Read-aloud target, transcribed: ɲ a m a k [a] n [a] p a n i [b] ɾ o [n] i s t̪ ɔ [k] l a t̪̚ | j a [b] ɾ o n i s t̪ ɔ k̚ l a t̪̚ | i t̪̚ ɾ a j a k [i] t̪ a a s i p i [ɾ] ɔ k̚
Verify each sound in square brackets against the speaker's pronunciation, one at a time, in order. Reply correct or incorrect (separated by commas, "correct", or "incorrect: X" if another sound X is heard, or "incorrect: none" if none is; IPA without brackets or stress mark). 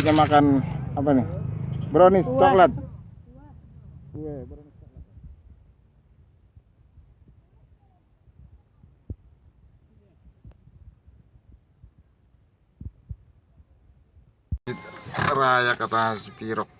correct, correct, correct, correct, correct, correct, incorrect: a, correct